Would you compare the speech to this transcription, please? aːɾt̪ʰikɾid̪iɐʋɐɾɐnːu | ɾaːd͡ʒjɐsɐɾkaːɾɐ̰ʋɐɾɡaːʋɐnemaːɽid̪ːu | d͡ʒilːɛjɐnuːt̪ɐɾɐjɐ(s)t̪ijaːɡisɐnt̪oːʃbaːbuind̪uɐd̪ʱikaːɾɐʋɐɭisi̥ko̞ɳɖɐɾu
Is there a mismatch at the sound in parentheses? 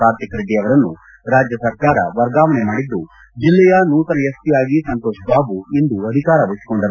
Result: no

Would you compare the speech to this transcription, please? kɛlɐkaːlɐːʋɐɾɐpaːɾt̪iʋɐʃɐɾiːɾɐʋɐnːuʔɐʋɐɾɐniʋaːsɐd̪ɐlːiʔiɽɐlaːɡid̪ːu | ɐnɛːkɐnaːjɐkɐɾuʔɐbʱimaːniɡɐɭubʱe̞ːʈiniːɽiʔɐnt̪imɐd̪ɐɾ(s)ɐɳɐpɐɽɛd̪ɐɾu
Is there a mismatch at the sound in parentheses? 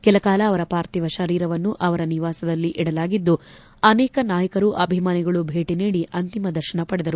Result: yes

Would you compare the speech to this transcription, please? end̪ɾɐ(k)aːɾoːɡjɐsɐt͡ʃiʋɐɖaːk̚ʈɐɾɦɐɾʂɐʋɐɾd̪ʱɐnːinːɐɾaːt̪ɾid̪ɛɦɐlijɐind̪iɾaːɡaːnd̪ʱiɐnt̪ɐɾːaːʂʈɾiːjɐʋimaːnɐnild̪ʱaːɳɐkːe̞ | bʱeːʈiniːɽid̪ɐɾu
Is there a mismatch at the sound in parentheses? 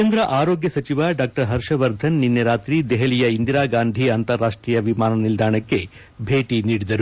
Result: yes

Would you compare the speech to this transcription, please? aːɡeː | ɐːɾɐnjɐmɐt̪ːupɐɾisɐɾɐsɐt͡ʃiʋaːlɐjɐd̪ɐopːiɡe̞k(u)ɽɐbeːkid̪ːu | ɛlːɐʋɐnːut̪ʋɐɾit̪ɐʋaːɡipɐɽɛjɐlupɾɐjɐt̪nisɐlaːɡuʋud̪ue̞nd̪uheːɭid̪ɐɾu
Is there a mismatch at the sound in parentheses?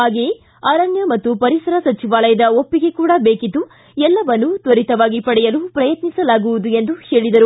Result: yes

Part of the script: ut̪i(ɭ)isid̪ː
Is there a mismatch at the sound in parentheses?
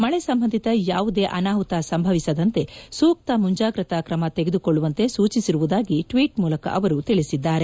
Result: no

